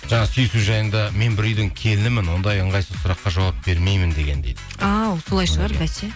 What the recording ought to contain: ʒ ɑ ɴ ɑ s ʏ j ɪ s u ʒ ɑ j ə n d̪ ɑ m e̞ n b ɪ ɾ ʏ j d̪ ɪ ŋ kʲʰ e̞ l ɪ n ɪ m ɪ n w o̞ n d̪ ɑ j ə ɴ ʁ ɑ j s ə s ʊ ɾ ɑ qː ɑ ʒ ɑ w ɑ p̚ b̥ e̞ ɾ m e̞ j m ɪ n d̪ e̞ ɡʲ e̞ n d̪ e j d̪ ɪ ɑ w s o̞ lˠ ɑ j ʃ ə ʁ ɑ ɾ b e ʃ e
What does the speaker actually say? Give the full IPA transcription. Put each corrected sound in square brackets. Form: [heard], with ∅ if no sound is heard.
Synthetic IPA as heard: ʒ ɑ ɴ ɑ s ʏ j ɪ s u ʒ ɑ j ə n d̪ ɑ m e̞ n b ɪ ɾ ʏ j d̪ ɪ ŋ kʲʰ e̞ l ɪ n ɪ m ɪ n w o̞ n d̪ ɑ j ə ɴ ʁ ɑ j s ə s ʊ ɾ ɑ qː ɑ ʒ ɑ w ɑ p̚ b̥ e̞ ɾ m e̞ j m ɪ n d̪ e̞ ɡʲ e̞ n d̪ e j d̪ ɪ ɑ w s o̞ lˠ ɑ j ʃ ə ʁ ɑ ɾ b [æ] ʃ e

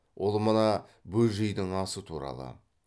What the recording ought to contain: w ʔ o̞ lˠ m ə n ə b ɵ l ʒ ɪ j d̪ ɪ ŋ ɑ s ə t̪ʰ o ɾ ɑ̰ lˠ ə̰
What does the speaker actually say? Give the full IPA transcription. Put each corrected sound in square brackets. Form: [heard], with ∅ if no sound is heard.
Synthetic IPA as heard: w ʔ o̞ lˠ m ə n [ɑ] b ɵ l ʒ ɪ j d̪ ɪ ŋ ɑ s ə t̪ʰ [u] ɾ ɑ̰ lˠ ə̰

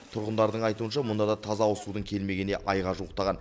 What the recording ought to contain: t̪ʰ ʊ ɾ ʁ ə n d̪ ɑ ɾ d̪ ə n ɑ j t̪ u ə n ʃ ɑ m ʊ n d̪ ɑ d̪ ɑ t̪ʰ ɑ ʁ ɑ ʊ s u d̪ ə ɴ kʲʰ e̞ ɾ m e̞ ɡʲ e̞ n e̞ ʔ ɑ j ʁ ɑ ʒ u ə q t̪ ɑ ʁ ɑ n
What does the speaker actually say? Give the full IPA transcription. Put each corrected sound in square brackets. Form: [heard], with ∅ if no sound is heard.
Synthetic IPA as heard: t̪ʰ ʊ ɾ ʁ ə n d̪ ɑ ɾ d̪ ə [ɴ] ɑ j t̪ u ə n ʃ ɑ m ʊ n d̪ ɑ d̪ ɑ t̪ʰ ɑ [z] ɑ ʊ s u d̪ ə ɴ kʲʰ e̞ [l] m e̞ ɡʲ e̞ n e̞ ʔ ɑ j ʁ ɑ ʒ u ə q t̪ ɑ ʁ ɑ n

